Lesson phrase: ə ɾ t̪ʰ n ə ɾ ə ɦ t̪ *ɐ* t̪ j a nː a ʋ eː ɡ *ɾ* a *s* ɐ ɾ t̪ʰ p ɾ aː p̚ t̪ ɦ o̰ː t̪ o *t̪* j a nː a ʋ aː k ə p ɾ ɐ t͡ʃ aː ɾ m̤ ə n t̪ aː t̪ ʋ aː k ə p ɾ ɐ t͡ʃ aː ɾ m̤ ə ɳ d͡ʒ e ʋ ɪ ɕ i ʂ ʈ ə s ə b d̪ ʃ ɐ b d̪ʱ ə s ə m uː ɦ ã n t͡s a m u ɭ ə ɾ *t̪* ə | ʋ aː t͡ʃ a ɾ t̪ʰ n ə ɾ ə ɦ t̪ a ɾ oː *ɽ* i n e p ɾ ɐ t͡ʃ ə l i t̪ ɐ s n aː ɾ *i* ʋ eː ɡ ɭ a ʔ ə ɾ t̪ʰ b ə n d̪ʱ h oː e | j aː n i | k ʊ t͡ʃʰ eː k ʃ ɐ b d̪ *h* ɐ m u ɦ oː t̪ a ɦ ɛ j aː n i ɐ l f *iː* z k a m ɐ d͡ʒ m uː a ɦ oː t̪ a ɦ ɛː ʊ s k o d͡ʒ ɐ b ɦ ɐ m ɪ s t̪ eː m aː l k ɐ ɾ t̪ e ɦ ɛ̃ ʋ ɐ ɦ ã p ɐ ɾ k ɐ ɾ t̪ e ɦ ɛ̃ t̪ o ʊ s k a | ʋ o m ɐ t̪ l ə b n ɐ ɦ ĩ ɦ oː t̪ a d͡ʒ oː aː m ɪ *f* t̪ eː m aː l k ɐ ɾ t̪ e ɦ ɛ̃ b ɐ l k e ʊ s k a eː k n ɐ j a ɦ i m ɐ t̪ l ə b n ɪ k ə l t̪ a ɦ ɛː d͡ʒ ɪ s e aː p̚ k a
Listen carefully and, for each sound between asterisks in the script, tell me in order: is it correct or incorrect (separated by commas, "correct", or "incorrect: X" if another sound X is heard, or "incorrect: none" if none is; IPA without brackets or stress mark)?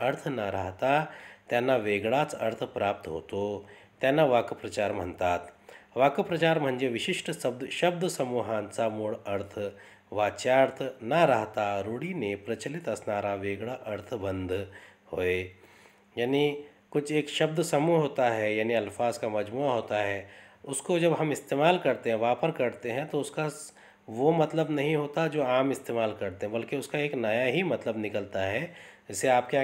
incorrect: a, incorrect: ɭ, incorrect: t͡s, correct, incorrect: t̪ʰ, correct, incorrect: a, incorrect: s, incorrect: aː, incorrect: s